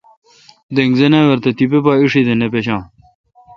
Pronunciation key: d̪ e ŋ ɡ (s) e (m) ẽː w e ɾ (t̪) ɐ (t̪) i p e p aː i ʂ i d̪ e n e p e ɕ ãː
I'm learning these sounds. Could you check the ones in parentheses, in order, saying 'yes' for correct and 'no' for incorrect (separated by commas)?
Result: no, no, yes, yes